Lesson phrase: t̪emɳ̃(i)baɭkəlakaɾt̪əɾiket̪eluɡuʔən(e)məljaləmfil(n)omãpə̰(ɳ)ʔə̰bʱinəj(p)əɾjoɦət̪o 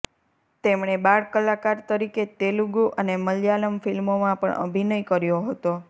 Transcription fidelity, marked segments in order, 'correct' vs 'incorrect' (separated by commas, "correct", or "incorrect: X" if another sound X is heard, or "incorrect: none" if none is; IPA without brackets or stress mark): incorrect: e, correct, incorrect: m, correct, incorrect: k